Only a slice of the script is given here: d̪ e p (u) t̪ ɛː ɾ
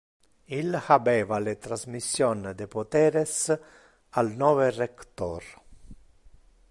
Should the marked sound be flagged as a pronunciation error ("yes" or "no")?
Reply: yes